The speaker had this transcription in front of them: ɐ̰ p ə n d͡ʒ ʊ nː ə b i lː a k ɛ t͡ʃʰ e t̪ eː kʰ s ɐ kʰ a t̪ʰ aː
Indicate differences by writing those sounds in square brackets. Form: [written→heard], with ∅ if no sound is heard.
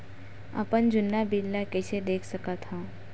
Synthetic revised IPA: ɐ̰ p ə n d͡ʒ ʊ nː [ə→a] b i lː a k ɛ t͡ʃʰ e [t̪→d̪] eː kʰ s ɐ [kʰ→k] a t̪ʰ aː